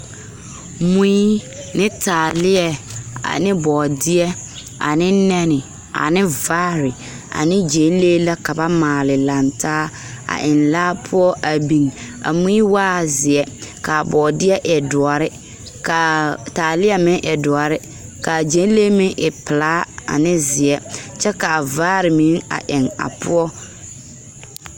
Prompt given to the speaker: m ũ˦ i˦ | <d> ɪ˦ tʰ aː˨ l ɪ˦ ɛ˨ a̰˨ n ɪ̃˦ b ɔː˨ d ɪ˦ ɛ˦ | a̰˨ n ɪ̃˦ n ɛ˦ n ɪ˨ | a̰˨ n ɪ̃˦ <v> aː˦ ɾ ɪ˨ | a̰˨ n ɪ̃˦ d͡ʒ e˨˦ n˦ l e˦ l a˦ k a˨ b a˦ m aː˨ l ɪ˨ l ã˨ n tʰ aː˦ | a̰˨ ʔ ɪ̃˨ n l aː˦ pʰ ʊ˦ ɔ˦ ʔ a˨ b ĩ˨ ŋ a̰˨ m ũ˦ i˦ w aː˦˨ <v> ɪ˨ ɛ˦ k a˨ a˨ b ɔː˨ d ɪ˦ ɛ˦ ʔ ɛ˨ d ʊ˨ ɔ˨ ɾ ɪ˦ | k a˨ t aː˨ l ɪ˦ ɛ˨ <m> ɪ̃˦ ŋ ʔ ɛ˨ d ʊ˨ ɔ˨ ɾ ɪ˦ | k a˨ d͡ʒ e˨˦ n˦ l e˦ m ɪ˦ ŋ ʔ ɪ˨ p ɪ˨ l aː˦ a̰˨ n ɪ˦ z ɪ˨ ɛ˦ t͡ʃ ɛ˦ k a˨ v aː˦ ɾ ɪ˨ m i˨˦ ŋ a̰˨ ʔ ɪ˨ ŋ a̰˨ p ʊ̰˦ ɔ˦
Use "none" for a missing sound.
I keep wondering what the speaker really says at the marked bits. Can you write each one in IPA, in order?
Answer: n, v, z, m

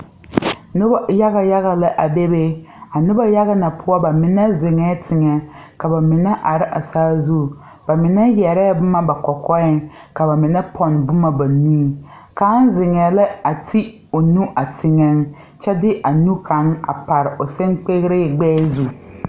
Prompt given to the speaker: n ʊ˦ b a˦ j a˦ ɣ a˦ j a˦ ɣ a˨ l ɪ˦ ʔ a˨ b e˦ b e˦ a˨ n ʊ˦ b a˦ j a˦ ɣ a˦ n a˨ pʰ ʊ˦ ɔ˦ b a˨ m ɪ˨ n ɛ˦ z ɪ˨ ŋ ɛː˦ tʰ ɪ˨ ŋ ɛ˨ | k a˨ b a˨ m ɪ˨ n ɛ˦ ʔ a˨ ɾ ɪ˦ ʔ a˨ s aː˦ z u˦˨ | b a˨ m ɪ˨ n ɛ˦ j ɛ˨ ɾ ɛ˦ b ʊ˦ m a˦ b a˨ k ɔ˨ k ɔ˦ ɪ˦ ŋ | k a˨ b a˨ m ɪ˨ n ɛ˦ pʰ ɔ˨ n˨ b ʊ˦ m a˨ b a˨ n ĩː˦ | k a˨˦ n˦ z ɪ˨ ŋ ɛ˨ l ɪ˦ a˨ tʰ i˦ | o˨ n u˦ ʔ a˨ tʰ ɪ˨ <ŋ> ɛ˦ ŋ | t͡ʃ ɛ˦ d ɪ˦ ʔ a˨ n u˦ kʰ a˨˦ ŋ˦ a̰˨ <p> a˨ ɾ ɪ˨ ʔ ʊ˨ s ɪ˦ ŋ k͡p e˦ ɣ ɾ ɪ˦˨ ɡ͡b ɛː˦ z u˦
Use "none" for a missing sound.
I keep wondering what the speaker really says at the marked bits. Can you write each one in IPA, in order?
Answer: ŋ, p

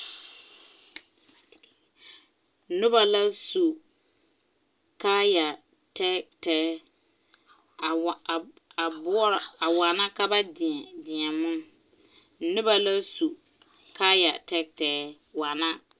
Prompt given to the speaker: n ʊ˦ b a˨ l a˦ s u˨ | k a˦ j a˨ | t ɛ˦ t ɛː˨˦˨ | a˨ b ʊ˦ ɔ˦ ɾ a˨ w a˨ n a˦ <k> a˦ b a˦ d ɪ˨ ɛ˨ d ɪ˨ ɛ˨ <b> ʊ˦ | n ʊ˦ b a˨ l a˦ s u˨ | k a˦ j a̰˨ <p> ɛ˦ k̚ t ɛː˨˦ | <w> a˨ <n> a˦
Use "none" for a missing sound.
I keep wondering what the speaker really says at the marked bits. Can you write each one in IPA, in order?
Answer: k, m, t, w, n

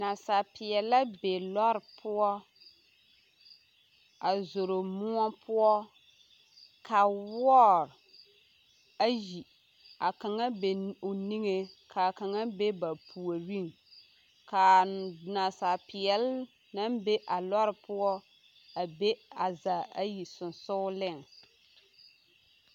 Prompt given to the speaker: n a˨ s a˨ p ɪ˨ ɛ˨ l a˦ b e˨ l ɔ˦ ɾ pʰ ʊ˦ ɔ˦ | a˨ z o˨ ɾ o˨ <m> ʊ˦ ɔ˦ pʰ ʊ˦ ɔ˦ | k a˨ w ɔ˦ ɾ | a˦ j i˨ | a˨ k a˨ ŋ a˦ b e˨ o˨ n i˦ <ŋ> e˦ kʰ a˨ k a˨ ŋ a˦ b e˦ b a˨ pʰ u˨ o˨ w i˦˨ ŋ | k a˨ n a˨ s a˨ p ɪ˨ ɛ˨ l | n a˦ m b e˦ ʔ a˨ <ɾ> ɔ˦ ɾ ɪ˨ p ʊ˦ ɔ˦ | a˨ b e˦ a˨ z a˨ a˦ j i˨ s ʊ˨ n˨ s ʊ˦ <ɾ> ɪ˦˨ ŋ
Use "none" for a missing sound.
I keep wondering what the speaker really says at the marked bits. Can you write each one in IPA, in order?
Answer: m, ŋ, l, l

